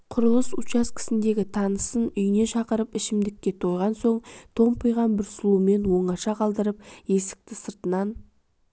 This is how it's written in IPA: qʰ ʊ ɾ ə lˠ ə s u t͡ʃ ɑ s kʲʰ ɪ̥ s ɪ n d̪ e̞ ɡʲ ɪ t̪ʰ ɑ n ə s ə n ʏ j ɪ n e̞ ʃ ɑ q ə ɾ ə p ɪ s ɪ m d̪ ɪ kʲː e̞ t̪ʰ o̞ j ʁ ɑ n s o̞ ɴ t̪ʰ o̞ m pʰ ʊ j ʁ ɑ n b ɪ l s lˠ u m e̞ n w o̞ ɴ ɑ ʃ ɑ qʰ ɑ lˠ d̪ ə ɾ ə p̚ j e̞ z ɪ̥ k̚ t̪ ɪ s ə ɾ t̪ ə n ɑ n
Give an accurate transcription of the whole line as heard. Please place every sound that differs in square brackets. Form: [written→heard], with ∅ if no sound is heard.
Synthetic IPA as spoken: qʰ ʊ ɾ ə lˠ ə s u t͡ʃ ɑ s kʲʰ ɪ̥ s ɪ n d̪ e̞ ɡʲ ɪ t̪ʰ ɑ n ə s ə n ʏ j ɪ n e̞ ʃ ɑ q ə ɾ ə p ɪ [s→ʃ] ɪ m d̪ ɪ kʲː e̞ t̪ʰ o̞ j ʁ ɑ n s o̞ ɴ t̪ʰ o̞ m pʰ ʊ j ʁ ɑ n b ɪ [l→ɾ] s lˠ u m e̞ n w o̞ ɴ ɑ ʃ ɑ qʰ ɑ lˠ d̪ ə ɾ ə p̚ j e̞ [z→s] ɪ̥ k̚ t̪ ɪ s ə ɾ t̪ ə n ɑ n

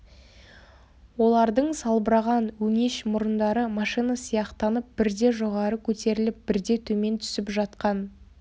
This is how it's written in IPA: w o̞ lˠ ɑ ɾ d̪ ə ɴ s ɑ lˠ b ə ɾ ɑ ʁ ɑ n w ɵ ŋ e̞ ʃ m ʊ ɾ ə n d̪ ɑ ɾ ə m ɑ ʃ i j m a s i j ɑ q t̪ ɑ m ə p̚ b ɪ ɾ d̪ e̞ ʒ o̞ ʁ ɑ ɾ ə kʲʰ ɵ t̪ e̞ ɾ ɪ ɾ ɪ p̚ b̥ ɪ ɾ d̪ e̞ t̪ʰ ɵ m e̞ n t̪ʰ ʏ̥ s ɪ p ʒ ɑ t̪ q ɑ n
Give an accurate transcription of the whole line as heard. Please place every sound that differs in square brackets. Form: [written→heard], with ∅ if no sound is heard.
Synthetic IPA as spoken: w o̞ lˠ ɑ ɾ d̪ ə ɴ s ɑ lˠ b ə ɾ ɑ ʁ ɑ n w ɵ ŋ e̞ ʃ m ʊ ɾ ə n d̪ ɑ ɾ ə m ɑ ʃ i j [m→n] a s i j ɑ q t̪ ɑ [m→n] ə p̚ b ɪ ɾ d̪ e̞ ʒ o̞ ʁ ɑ ɾ ə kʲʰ ɵ t̪ e̞ ɾ ɪ [ɾ→l] ɪ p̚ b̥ ɪ ɾ d̪ e̞ t̪ʰ ɵ m e̞ n t̪ʰ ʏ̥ s ɪ p ʒ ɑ t̪ q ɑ n

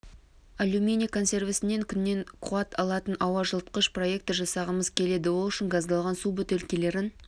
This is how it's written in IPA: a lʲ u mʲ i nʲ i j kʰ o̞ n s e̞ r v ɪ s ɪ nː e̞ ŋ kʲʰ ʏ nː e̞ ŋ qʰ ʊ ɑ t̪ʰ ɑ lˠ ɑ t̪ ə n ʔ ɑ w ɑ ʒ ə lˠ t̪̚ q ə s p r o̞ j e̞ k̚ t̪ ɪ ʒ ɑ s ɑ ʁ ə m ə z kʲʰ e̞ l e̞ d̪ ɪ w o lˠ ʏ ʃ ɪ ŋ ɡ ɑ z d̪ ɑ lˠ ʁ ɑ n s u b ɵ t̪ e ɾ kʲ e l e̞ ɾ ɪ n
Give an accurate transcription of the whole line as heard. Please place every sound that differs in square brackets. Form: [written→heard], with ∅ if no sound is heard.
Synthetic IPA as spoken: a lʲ u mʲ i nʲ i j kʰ o̞ n s e̞ r v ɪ s ɪ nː e̞ ŋ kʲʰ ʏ nː e̞ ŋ qʰ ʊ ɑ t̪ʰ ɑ lˠ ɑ t̪ ə n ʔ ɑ w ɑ ʒ ə lˠ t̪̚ q ə [s→ʃ] p r o̞ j e̞ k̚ t̪ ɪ ʒ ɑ s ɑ ʁ ə m ə z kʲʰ e̞ l e̞ d̪ ɪ w o lˠ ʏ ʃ ɪ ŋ ɡ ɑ z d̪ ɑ lˠ ʁ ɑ n s u b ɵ t̪ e [ɾ→l] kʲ e l e̞ ɾ ɪ n

